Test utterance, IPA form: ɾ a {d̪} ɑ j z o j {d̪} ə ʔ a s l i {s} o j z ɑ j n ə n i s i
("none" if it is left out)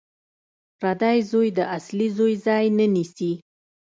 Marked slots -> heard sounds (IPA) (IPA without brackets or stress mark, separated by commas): d̪, d̪, z